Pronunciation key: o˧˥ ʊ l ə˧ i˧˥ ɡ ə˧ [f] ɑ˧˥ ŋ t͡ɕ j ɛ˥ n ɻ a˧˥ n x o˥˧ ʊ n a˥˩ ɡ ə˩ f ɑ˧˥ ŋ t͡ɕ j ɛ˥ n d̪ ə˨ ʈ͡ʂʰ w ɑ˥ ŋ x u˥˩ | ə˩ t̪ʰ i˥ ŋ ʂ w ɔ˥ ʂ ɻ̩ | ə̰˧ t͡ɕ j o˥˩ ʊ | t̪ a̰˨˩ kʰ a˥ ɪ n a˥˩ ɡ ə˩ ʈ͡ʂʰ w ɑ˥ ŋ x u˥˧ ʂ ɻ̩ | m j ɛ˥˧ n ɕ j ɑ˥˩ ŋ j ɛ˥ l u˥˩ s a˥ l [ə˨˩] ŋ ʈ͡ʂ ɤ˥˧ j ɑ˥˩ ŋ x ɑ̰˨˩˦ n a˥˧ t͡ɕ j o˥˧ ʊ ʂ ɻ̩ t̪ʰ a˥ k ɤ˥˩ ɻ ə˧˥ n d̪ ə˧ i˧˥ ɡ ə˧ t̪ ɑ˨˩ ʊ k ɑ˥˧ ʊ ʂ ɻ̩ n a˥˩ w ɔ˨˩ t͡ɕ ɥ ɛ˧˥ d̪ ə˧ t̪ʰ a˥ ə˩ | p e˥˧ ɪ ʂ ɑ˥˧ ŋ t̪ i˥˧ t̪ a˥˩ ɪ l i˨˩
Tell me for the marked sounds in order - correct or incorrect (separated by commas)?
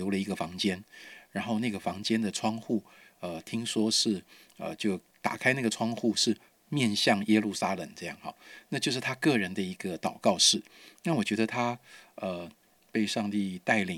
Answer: correct, correct